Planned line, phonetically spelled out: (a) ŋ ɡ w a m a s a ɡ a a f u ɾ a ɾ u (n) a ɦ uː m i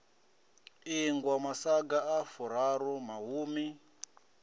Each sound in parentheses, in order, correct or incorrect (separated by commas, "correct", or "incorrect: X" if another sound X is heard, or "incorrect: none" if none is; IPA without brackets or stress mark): incorrect: i, incorrect: m